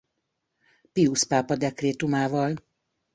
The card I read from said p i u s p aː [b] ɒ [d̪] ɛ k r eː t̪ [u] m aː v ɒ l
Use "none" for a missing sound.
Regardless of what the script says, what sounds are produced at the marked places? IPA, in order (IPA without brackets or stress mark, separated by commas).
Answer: p, d̪, u